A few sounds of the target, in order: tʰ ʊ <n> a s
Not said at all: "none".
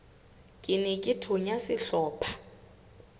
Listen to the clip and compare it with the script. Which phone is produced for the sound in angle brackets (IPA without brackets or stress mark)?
ɲ